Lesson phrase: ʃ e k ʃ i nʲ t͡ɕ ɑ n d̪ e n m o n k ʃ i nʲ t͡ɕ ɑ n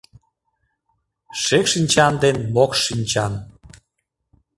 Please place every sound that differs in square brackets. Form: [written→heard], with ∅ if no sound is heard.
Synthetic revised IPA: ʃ e k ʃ i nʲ t͡ɕ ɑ n d̪ e n m o [n→∅] k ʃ i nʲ t͡ɕ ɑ n